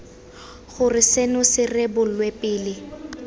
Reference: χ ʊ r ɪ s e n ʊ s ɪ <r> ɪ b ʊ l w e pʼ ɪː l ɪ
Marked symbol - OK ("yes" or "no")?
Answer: yes